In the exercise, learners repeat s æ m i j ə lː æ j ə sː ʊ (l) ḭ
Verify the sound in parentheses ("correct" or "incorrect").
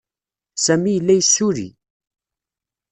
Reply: incorrect